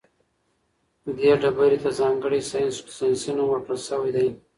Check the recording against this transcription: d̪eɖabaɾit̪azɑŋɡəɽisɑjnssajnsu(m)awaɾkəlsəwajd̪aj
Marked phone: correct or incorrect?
incorrect